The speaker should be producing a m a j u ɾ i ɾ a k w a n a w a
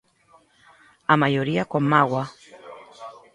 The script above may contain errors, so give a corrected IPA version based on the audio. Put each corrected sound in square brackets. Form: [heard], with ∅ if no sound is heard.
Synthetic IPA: a m a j [o] ɾ i [∅] a k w a [m] a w a